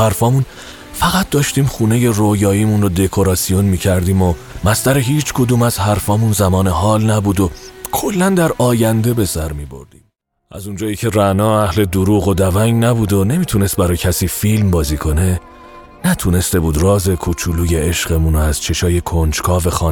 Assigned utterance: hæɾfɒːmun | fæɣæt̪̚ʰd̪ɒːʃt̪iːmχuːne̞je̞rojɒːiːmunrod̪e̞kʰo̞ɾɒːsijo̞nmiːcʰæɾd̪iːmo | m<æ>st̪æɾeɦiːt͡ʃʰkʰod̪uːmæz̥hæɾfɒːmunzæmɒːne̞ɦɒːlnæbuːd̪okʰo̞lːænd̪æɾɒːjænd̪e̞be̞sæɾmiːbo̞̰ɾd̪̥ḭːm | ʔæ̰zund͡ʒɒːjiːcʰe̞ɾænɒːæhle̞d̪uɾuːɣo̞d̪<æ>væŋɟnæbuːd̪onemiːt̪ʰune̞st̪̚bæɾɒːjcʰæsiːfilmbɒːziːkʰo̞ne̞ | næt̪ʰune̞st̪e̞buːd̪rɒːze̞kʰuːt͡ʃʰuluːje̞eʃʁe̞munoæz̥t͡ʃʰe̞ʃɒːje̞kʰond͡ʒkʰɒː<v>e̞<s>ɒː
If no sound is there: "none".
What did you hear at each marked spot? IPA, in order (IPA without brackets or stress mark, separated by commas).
æ, æ, v, x